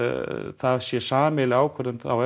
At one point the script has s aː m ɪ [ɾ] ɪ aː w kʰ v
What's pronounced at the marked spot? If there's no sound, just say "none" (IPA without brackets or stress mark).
l